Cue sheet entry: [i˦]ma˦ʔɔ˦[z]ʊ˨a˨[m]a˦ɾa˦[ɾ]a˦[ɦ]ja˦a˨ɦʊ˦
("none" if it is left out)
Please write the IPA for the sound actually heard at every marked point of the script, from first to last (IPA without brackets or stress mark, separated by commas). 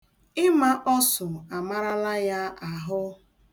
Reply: ɪ˦, s, m, l, none